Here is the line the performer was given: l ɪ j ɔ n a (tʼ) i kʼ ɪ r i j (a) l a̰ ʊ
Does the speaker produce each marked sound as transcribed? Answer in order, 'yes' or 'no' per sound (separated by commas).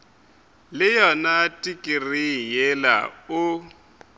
yes, no